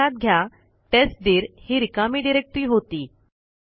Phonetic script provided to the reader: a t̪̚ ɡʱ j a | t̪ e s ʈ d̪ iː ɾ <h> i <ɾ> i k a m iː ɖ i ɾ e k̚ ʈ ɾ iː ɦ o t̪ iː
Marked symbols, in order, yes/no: yes, yes

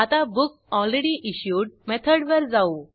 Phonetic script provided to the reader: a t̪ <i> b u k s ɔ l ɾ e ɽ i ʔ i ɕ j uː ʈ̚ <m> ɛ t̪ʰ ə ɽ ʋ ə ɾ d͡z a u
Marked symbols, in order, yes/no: no, yes

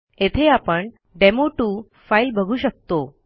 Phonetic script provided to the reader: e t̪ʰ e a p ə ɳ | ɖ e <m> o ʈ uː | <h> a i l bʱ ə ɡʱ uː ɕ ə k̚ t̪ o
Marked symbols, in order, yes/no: yes, no

